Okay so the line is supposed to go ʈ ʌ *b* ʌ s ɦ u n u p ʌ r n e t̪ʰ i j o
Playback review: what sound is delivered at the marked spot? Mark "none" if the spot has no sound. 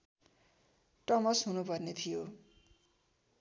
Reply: m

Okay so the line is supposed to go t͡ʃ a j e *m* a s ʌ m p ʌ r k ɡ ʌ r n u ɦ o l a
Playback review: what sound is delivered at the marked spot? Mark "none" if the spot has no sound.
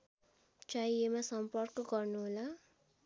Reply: m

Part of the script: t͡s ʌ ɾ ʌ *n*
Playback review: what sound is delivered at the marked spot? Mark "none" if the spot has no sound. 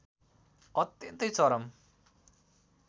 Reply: m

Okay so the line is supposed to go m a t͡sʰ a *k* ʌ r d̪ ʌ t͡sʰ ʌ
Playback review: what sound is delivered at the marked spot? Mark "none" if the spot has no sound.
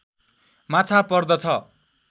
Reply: p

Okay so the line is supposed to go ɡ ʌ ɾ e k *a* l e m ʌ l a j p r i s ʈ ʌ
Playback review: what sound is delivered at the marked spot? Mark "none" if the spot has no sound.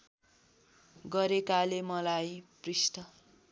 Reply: a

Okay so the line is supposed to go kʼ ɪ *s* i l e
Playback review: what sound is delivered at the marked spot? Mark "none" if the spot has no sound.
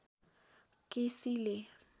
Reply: s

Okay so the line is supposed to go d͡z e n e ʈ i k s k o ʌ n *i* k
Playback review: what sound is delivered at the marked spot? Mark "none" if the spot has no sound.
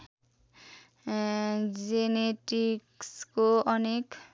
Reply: e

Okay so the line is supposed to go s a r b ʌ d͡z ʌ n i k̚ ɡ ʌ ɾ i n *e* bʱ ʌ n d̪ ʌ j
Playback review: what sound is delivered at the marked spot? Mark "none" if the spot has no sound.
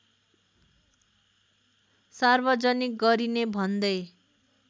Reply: e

